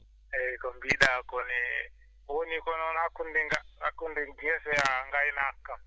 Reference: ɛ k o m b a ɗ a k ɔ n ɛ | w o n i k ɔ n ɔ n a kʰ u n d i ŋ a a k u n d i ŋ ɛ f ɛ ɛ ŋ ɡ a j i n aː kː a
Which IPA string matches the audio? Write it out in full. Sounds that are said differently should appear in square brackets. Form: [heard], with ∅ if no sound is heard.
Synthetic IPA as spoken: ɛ k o m b [i] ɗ a k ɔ n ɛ | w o n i k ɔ n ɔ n a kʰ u n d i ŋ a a k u n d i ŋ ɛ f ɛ [a] ŋ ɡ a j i n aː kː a